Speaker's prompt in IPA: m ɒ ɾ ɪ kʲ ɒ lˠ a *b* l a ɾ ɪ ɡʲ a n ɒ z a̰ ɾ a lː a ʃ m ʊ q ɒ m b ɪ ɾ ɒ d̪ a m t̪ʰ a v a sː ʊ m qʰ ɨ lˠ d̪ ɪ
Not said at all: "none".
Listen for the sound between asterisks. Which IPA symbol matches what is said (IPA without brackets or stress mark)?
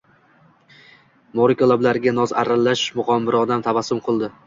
b